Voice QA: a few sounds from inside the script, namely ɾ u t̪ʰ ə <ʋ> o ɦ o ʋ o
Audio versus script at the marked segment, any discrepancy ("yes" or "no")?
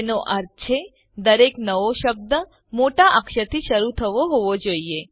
no